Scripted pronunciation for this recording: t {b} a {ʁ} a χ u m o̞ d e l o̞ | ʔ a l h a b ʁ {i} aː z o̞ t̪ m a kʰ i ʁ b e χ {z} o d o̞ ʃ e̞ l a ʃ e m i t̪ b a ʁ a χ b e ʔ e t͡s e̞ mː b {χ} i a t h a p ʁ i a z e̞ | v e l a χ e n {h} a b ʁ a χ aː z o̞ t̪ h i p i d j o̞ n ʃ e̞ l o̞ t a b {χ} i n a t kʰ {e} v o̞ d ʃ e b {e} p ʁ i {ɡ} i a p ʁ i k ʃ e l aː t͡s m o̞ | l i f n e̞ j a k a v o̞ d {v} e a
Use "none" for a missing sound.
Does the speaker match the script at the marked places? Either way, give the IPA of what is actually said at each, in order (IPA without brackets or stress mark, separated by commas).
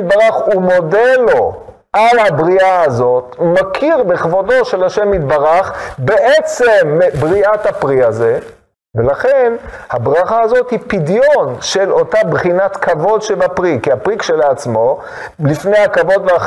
b, ʁ, i, v, ʁ, h, χ, a, a, k, v